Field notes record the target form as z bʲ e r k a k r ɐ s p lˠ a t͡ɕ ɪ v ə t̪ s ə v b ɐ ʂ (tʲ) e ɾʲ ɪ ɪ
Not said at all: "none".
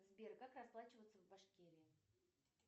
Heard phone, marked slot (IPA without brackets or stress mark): kʲ